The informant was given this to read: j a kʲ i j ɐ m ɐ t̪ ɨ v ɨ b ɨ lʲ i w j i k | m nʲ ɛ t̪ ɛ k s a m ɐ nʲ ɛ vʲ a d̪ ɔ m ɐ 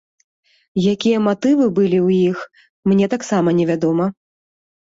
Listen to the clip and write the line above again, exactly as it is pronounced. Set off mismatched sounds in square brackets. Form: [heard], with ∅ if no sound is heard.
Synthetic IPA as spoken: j a kʲ i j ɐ m [a] t̪ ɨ v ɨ b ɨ lʲ i w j i [x] | m nʲ ɛ t̪ [a] k s a m ɐ nʲ ɛ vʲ a d̪ ɔ m ɐ